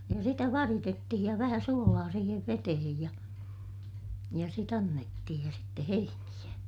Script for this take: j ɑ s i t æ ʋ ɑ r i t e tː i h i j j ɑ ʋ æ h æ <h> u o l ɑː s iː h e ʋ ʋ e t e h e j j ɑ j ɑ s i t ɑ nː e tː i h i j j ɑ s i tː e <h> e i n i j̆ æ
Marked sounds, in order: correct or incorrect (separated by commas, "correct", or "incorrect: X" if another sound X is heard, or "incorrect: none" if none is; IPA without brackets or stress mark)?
incorrect: s, correct